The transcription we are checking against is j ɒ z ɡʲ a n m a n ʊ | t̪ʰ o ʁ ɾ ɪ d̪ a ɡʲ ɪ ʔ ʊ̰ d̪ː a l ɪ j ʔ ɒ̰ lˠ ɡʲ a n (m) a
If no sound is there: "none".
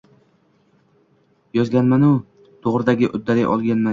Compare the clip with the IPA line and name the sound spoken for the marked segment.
m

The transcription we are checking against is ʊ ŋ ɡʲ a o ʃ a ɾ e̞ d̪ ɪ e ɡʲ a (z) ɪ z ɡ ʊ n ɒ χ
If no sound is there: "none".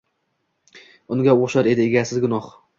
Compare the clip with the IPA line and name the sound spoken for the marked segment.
s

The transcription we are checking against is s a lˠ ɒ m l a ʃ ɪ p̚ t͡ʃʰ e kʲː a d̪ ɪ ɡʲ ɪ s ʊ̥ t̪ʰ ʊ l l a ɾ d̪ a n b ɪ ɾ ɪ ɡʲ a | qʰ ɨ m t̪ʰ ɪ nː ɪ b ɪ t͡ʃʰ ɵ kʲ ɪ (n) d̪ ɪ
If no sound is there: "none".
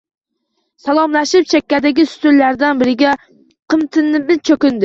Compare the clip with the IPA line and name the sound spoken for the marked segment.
n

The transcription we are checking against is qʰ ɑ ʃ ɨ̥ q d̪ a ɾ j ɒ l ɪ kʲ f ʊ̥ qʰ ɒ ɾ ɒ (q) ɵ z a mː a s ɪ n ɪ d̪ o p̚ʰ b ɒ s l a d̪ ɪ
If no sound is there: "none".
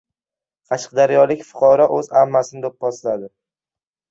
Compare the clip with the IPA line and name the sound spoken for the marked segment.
ʔ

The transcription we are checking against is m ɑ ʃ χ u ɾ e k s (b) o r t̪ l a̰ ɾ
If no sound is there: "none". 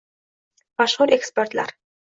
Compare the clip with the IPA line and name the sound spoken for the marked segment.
p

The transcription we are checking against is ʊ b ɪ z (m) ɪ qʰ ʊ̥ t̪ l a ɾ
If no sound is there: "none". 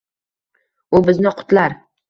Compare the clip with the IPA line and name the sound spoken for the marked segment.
n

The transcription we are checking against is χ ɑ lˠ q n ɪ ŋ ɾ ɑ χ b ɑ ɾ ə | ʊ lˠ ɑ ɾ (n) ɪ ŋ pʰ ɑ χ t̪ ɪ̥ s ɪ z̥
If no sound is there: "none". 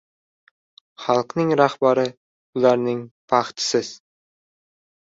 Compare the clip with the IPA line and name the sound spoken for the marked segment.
n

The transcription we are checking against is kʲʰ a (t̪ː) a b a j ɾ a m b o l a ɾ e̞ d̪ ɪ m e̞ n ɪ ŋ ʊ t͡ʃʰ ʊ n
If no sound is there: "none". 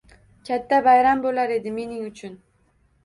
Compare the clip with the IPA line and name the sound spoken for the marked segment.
t̪ː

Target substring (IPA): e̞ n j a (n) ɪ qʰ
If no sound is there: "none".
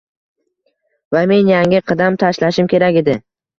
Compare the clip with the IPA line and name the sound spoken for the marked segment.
ŋ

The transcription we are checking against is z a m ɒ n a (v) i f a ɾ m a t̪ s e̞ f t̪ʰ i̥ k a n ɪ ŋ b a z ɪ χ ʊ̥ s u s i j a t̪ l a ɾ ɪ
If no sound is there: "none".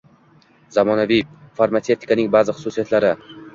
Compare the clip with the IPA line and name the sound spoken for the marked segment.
v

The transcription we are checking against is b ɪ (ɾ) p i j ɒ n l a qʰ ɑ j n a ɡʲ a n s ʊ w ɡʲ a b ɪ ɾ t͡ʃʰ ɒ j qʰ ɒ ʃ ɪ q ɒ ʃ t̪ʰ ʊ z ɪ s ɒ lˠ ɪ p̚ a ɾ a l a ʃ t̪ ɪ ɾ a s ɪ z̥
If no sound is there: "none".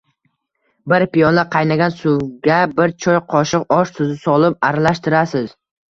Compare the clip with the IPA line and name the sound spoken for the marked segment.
ɾ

